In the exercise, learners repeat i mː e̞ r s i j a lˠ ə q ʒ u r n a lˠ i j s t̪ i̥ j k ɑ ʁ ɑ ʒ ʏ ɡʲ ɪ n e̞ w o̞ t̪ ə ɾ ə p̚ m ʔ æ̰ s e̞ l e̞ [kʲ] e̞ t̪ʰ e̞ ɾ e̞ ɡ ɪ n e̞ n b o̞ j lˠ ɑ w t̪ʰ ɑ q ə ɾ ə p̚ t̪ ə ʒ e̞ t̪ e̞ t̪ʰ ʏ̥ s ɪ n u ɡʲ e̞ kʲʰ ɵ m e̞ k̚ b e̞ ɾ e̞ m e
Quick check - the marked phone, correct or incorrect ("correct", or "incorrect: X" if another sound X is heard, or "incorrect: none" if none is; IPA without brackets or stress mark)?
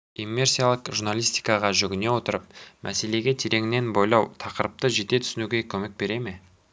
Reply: incorrect: ɡʲ